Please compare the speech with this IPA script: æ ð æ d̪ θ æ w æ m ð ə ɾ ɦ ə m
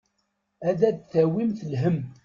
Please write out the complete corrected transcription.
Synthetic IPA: æ ð æ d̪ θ æ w i m θ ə l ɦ ə m